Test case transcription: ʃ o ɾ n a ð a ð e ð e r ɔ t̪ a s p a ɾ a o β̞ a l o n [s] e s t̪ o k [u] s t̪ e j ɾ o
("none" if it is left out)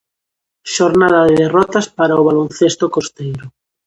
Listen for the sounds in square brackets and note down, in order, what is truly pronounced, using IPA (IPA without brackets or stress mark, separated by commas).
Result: θ, o